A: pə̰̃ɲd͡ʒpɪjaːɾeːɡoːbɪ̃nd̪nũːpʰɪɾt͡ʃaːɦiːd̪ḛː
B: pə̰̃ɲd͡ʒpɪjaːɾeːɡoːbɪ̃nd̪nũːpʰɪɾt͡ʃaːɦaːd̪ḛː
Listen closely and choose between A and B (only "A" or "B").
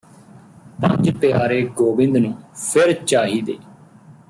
A